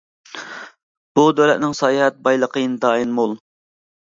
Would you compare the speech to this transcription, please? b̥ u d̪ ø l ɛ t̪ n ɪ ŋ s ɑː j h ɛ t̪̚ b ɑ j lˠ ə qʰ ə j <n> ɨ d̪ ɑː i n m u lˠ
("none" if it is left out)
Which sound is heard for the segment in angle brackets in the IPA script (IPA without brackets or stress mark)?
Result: n